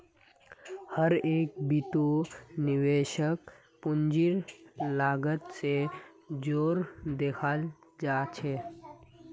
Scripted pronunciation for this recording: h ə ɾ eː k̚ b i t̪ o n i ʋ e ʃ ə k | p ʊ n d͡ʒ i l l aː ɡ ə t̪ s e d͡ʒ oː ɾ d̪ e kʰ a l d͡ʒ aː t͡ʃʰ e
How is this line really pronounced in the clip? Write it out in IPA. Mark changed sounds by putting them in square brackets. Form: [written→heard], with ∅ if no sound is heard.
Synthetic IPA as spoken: h ə ɾ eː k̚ b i t̪ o n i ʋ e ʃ ə k | p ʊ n d͡ʒ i [l→ɾ] l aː ɡ ə t̪ s e d͡ʒ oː ɾ d̪ e kʰ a l d͡ʒ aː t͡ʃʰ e